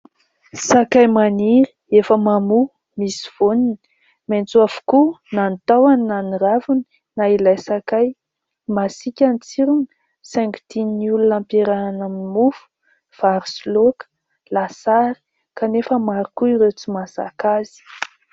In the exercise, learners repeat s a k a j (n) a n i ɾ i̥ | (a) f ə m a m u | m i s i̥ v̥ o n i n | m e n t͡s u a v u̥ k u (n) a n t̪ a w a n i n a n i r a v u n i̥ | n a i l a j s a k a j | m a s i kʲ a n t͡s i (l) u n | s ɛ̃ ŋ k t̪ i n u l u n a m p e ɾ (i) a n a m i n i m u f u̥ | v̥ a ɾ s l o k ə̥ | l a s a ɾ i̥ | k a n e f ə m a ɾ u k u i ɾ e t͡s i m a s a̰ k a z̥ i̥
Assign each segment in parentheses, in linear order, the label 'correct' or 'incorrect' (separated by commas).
incorrect, incorrect, correct, incorrect, incorrect